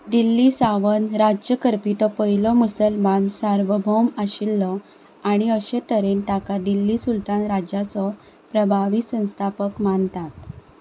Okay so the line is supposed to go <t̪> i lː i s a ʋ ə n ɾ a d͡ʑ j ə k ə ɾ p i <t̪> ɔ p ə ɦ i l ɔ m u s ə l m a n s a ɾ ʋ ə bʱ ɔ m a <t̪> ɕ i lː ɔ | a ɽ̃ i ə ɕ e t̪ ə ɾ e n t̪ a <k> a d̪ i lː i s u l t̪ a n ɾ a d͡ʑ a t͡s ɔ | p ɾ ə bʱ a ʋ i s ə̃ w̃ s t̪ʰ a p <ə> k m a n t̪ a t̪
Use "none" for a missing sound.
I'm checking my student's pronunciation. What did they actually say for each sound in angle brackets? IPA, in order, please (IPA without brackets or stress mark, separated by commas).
d̪, t̪, none, k, ə